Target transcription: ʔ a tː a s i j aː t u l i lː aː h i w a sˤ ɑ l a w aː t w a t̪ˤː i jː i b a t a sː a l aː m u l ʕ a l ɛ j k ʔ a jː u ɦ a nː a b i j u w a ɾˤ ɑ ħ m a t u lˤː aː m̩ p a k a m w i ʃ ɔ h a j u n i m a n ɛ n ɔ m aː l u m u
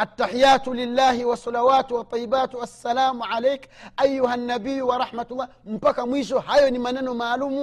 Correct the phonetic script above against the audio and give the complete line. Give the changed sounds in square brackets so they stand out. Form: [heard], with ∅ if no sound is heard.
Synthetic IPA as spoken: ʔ a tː a [ħ] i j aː t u l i lː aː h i w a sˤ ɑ l a w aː t w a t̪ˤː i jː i b a t a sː a l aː m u [∅] ʕ a l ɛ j k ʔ a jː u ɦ a nː a b i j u w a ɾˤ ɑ ħ m a t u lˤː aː m̩ p a k a m w i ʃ ɔ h a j [ɔ] n i m a n ɛ n ɔ m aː l u m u